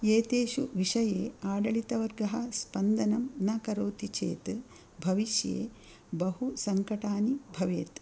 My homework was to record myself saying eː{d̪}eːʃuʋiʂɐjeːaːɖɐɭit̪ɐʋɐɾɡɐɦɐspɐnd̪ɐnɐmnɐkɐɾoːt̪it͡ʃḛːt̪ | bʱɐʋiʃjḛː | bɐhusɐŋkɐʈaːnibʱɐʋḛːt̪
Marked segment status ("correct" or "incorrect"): incorrect